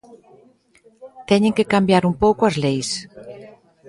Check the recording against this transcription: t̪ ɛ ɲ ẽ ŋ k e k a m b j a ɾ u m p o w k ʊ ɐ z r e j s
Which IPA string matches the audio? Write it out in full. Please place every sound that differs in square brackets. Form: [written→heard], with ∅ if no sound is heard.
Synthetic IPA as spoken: t̪ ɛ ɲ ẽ ŋ k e k a m b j a ɾ u m p o w k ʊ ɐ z [r→l] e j s